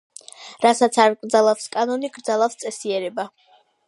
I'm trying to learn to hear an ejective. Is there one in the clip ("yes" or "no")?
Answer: yes